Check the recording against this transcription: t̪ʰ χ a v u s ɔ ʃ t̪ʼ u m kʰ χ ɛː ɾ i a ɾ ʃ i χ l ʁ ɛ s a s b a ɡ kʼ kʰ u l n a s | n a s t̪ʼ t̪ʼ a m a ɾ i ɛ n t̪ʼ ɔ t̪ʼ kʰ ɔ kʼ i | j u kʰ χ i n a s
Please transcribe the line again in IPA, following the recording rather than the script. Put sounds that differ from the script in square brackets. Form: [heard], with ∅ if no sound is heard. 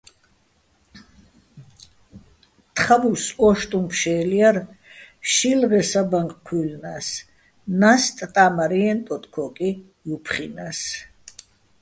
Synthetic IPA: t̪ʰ χ a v u s ɔ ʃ t̪ʼ u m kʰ [ʃ] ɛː [l] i a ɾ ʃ i [∅] l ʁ ɛ s a [∅] b a [ŋ] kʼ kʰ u l n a s | n a s t̪ʼ t̪ʼ a m a ɾ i ɛ n t̪ʼ ɔ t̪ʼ kʰ ɔ kʼ i | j u [pʰ] χ i n a s